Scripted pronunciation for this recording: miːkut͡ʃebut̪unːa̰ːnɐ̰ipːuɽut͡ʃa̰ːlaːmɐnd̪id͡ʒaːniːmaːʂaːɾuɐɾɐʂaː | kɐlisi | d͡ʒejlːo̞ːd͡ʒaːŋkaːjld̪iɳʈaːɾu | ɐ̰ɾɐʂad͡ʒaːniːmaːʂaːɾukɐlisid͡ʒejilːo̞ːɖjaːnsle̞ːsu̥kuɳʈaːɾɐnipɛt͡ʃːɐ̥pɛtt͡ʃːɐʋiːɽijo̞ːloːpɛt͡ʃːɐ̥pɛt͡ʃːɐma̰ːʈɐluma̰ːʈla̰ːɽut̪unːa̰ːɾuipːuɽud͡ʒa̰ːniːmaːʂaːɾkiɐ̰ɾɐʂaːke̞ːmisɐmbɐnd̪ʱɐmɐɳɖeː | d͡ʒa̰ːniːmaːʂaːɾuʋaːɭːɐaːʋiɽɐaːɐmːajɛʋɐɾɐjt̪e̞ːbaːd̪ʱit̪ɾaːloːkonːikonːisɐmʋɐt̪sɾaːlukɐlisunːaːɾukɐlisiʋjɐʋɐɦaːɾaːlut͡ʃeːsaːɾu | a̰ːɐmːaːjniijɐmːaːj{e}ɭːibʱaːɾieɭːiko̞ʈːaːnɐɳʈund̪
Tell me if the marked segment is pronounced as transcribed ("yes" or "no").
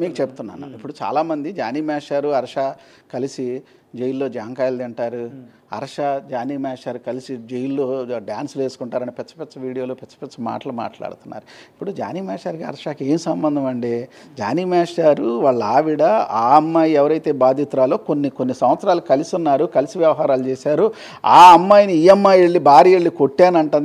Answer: yes